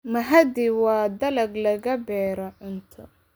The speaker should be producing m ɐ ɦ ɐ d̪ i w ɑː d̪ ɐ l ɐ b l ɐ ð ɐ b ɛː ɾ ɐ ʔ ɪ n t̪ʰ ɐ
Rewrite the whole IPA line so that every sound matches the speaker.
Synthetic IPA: m ɐ ɦ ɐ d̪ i w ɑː d̪ ɐ l ɐ ɡ l ɐ ɣ ɐ b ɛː ɾ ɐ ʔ ɪ n t̪ʰ ɐ